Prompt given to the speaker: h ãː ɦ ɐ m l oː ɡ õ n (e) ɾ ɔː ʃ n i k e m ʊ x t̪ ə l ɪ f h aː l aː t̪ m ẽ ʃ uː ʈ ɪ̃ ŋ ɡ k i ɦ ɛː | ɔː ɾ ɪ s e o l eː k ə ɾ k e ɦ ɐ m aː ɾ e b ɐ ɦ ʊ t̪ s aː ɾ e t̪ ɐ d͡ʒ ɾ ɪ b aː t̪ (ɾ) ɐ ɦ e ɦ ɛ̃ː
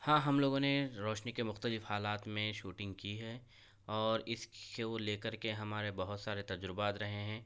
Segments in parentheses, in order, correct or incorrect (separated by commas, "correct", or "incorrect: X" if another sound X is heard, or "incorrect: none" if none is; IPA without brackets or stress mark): correct, correct